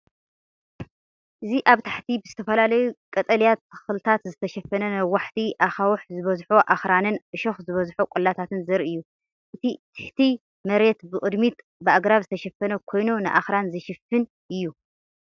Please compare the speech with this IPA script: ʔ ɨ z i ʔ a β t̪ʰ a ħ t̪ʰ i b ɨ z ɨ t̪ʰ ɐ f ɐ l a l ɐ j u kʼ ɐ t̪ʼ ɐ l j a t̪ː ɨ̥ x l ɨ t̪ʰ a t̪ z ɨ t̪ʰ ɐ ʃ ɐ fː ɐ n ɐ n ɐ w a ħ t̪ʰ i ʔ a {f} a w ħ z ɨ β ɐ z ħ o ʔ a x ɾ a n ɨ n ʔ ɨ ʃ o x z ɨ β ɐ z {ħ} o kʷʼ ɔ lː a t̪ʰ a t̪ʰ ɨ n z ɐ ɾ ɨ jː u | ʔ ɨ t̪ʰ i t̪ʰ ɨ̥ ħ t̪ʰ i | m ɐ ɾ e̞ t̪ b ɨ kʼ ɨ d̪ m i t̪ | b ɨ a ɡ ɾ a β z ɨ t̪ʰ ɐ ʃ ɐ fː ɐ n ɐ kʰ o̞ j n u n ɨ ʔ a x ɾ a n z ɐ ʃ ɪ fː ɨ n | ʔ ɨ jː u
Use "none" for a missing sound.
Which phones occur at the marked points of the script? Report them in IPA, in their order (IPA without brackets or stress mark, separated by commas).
x, ħ